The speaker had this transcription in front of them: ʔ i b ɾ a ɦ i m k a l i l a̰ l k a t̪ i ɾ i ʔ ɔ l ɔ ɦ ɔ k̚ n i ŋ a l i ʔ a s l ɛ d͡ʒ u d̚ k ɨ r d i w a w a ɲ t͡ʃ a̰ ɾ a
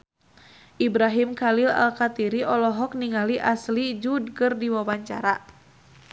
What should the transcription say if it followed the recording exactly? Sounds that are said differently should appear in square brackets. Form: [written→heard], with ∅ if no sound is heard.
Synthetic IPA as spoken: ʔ i b ɾ a ɦ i m k a l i l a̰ l k a t̪ i ɾ i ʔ ɔ l ɔ ɦ ɔ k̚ n i ŋ a l i ʔ a s l [ɛ→i] d͡ʒ u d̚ k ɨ r d i w a w a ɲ t͡ʃ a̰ ɾ a